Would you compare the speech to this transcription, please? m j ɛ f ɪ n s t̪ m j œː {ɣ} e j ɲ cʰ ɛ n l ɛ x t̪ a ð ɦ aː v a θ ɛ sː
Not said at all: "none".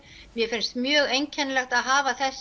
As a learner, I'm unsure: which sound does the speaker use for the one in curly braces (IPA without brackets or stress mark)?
ɣ